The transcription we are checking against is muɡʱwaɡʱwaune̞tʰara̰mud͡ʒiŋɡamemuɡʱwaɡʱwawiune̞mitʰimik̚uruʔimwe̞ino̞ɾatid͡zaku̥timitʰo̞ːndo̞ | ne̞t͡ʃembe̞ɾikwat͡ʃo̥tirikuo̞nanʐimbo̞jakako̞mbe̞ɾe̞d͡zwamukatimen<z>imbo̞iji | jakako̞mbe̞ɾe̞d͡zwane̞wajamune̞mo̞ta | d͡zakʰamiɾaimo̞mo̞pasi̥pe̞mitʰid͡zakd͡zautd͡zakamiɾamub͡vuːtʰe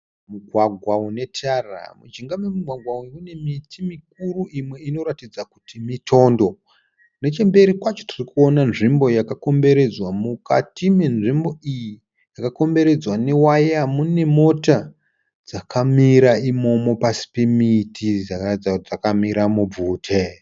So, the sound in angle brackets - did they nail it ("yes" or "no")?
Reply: no